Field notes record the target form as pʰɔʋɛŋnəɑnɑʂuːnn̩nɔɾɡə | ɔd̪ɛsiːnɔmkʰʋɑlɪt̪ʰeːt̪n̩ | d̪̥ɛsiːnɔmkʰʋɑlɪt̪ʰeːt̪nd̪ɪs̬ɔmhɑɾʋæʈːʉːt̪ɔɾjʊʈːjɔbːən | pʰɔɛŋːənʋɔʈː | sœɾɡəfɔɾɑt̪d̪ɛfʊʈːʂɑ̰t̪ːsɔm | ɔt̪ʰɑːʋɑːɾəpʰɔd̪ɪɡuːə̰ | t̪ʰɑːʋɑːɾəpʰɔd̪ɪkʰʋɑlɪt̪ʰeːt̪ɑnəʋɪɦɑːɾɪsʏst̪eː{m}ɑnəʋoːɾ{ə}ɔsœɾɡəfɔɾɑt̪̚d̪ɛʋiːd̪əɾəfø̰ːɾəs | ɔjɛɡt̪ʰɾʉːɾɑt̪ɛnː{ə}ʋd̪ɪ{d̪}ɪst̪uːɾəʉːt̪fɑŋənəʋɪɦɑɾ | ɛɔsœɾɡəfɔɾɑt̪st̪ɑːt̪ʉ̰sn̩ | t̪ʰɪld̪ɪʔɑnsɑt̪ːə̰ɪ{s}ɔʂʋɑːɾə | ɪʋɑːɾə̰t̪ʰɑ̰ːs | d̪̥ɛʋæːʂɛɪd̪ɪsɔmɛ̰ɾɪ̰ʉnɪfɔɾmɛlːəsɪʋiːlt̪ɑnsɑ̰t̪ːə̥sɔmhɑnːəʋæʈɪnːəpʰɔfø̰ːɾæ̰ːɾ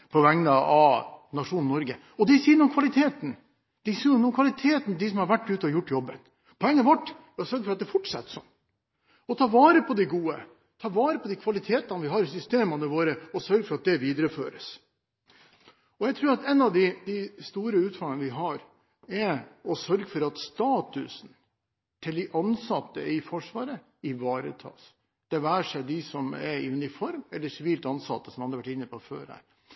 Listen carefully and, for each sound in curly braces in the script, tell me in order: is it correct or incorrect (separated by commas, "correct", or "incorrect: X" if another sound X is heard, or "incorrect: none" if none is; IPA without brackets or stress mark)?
correct, correct, incorrect: ɑ, correct, incorrect: f